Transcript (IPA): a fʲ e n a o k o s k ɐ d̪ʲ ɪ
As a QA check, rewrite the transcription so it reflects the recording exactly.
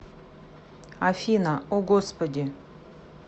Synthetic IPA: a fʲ i n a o ɡ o s p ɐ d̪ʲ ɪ

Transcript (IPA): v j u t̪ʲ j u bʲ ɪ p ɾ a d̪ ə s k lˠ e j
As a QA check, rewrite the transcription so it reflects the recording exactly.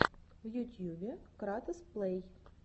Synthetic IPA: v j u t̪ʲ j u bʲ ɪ k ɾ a t̪ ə s p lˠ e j

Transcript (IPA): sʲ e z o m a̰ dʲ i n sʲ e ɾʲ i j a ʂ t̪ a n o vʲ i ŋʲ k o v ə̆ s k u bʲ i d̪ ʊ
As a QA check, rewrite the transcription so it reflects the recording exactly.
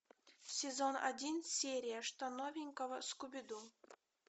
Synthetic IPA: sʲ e z o n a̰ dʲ i n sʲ e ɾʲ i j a ʂ t̪ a n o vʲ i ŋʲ k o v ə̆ s k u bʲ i d̪ u

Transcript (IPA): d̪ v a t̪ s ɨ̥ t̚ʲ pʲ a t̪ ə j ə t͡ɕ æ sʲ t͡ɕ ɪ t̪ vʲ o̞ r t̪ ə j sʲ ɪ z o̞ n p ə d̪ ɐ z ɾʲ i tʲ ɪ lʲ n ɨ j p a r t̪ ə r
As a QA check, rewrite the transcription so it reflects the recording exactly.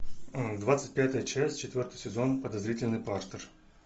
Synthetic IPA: d̪ v a t̪ s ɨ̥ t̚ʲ pʲ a t̪ ə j ə t͡ɕ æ sʲ t͡ɕ ɪ t̪ vʲ o̞ r t̪ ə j sʲ ɪ z o̞ n p ə d̪ ɐ z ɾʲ i tʲ ɪ lʲ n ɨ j p a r t̪ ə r

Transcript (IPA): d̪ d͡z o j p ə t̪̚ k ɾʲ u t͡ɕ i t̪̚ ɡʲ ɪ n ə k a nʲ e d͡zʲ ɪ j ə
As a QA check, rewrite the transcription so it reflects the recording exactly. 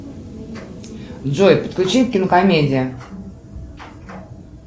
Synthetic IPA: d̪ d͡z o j p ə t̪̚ k lʲ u t͡ɕ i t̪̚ kʲ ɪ n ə k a mʲ e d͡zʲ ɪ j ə

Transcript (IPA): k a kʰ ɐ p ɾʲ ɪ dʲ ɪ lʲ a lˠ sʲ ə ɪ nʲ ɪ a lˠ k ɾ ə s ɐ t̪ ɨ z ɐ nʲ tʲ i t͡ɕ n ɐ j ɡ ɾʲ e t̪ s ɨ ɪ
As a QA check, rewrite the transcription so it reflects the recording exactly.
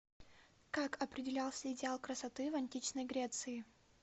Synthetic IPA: k a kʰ ɐ p ɾʲ ɪ dʲ ɪ lʲ a lˠ sʲ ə ɪ dʲ ɪ a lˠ k ɾ ə s ɐ t̪ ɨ v ɐ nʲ tʲ i t͡ɕ n ə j ɡ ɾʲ e t̪ s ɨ ɪ

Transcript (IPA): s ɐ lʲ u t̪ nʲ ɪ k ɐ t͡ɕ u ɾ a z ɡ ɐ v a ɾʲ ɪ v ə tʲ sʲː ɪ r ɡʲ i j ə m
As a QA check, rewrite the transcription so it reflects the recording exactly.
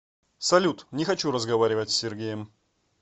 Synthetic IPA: s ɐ lʲ u t̪ nʲ ɪ x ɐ t͡ɕ u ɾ ə z ɡ ɐ v a ɾʲ ɪ v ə tʲ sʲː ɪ r ɡʲ e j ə m

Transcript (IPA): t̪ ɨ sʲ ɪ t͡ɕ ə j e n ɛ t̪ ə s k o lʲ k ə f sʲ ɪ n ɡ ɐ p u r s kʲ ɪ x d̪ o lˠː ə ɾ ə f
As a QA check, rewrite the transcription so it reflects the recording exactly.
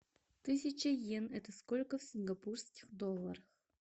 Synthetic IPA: t̪ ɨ sʲ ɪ t͡ɕ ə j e n ɛ t̪ ə s k o lʲ k ə f sʲ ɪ n ɡ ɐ p u r s kʲ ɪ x d̪ o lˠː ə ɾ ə x

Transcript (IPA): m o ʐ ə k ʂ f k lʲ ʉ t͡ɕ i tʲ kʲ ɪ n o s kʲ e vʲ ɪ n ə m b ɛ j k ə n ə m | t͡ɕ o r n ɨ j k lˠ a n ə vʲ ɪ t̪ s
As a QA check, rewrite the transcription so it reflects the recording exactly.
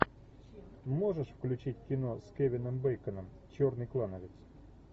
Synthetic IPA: m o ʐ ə ʂ f k lʲ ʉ t͡ɕ i tʲ kʲ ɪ n o s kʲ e vʲ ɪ n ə m b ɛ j k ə n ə m | t͡ɕ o r n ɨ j k lˠ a n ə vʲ ɪ t̪ s

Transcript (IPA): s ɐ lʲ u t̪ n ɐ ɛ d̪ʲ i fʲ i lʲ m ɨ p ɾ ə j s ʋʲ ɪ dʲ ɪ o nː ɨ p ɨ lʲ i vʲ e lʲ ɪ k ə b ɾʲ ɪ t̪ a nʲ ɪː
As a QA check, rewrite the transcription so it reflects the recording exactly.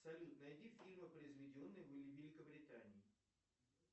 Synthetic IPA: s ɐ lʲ u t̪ n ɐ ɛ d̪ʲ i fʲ i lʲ m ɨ p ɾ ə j z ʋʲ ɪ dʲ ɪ o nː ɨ b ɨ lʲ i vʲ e lʲ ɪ k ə b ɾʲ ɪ t̪ a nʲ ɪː

